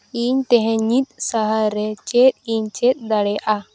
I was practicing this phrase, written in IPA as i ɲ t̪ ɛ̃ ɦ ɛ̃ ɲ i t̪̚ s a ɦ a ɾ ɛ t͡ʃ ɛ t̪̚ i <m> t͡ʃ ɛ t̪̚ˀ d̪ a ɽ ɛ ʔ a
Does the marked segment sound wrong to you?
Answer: yes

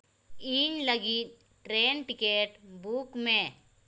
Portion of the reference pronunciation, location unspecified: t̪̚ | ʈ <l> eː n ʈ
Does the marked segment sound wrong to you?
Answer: yes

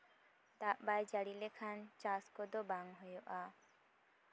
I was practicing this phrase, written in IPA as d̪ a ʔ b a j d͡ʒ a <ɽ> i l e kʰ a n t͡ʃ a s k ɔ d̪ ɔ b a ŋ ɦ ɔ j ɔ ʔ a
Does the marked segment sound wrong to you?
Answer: no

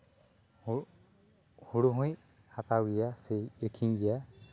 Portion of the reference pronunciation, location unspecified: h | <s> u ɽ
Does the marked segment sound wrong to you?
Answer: yes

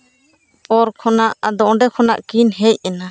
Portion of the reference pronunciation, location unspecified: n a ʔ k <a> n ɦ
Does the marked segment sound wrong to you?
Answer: yes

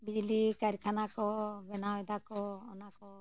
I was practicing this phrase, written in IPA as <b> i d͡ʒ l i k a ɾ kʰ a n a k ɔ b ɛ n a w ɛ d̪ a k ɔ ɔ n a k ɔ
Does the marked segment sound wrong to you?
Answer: no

